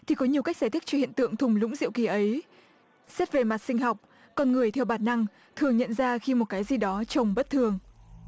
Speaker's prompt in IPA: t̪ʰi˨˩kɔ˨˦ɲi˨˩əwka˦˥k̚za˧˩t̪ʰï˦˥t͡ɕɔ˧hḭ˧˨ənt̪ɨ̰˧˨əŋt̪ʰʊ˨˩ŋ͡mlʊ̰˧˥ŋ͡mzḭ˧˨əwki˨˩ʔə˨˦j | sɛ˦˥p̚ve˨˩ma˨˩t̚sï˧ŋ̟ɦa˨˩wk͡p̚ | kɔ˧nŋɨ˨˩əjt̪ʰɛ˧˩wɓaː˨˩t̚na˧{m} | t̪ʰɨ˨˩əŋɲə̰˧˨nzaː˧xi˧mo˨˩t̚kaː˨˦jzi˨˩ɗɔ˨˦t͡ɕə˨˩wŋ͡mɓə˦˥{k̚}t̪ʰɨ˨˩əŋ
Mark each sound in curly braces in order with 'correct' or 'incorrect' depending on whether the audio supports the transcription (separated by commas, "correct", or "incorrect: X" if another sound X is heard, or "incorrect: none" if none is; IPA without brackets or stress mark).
incorrect: ŋ, incorrect: t̚